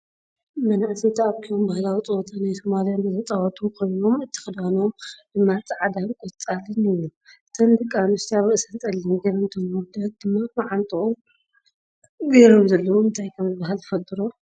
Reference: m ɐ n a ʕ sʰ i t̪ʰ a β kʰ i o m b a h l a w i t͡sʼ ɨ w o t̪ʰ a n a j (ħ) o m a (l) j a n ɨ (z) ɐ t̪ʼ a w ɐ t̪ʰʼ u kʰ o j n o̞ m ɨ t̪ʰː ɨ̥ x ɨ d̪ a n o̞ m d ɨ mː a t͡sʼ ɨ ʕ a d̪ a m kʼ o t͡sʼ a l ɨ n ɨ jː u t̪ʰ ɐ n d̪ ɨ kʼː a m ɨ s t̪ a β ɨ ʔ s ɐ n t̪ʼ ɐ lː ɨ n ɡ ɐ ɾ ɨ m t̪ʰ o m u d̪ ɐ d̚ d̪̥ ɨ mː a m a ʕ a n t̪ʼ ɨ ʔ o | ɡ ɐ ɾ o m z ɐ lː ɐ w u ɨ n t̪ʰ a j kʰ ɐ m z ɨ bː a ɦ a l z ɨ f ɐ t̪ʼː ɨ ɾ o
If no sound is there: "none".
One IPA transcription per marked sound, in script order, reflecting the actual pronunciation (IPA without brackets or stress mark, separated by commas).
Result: s, l, z